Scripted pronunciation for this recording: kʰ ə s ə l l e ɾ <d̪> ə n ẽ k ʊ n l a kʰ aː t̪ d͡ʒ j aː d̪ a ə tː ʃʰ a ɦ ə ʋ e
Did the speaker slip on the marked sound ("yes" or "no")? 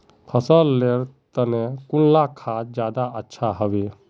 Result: yes